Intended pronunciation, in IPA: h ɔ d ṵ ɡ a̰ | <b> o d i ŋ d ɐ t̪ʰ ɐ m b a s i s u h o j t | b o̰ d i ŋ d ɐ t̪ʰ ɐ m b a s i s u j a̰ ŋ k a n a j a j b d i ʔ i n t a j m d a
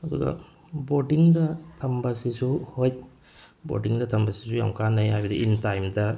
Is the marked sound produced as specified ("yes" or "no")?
yes